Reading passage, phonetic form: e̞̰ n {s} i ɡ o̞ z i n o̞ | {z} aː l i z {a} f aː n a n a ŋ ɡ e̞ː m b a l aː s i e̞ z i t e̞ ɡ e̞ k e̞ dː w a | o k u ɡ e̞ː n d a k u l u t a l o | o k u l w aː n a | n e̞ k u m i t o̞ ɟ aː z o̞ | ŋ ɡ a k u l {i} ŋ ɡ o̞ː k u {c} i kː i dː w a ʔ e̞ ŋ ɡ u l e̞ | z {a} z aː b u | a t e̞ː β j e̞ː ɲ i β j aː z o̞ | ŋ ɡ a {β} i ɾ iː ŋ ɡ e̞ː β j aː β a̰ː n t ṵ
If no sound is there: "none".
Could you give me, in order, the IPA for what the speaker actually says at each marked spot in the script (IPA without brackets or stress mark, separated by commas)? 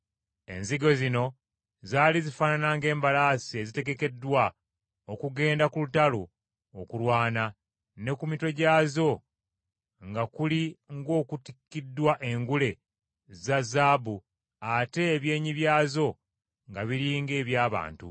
z, z, i, i, t, a, β